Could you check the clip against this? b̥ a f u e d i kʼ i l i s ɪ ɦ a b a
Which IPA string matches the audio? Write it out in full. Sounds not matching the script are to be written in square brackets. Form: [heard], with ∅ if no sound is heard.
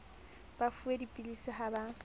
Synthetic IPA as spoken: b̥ a f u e d i [pʼ] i l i s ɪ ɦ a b a